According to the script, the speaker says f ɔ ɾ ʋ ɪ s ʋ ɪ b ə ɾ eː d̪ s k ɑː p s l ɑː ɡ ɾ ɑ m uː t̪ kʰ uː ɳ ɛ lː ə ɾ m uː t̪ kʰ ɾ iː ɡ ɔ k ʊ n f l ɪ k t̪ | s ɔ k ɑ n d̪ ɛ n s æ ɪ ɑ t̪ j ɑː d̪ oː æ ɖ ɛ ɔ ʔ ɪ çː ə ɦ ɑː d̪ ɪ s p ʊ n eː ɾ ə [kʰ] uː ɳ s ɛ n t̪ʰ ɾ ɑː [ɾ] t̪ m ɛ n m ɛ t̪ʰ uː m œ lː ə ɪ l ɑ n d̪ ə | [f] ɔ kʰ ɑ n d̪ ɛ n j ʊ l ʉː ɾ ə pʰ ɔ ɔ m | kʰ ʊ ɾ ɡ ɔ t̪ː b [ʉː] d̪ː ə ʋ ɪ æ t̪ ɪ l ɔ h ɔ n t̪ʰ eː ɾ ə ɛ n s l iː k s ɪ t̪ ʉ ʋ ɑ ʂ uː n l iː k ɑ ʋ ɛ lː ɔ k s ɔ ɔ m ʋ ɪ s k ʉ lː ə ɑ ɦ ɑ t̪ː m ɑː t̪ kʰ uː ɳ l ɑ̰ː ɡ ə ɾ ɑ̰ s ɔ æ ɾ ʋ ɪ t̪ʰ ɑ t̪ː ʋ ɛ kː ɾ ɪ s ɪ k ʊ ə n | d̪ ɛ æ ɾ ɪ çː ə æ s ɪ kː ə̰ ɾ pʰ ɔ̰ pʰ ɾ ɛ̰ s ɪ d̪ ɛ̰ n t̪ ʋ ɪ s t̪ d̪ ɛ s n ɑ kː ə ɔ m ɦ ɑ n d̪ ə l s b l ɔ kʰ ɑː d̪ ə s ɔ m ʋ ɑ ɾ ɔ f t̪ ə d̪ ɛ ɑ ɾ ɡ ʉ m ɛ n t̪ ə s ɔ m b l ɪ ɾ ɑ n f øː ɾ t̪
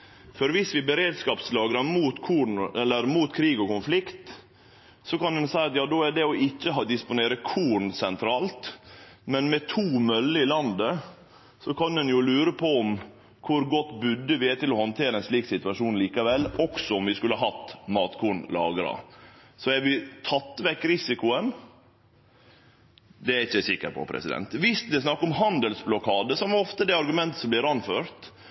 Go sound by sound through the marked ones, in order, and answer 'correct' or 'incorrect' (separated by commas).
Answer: correct, incorrect, incorrect, incorrect